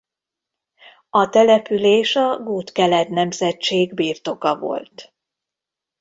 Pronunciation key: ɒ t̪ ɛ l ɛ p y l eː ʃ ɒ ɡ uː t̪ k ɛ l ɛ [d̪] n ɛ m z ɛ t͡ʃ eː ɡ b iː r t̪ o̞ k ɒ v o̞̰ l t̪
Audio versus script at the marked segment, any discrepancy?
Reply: yes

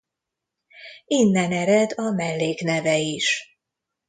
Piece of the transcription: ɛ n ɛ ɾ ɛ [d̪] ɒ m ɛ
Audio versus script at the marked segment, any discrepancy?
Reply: no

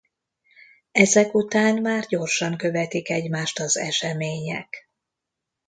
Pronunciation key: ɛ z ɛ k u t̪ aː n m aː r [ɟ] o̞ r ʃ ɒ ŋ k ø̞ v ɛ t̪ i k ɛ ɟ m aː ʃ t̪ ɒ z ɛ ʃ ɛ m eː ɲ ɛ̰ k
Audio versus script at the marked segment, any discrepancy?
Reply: no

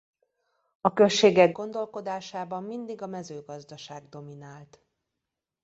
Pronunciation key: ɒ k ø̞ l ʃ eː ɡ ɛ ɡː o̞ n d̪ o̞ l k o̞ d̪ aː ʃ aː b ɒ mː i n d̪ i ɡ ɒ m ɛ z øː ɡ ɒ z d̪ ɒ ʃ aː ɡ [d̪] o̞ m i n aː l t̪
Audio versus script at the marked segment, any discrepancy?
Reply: no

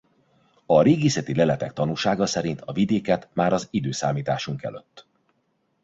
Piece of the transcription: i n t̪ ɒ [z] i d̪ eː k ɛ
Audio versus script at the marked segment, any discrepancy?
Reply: yes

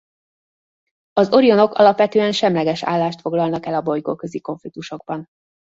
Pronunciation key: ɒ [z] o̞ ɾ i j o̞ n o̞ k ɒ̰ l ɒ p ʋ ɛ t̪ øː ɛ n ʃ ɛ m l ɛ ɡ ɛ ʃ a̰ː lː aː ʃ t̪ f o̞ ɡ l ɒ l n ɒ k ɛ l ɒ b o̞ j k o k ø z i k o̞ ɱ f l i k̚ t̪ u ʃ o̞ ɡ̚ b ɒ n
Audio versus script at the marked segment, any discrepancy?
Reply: no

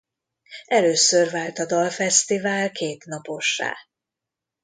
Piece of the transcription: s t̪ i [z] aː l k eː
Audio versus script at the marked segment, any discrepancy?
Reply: yes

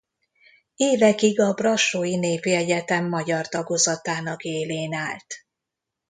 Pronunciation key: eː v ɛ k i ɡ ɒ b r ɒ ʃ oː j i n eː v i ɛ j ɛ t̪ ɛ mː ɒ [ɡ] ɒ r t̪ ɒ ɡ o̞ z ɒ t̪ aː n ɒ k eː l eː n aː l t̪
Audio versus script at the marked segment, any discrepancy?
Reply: yes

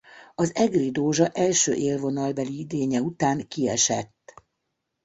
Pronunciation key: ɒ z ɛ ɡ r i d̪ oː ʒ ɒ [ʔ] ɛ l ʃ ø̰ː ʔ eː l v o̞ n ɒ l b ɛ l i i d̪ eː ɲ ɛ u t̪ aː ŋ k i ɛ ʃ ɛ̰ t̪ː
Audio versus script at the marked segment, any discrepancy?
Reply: no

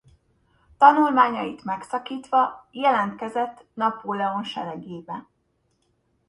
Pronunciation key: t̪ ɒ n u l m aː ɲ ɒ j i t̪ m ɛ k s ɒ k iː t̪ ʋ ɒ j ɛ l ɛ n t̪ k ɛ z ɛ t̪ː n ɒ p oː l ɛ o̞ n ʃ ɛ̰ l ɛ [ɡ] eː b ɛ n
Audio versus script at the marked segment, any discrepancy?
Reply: no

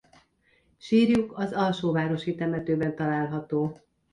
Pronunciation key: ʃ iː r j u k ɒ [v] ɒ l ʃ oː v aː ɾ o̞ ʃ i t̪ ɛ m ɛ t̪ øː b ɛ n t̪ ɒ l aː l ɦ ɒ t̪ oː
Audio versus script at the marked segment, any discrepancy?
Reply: yes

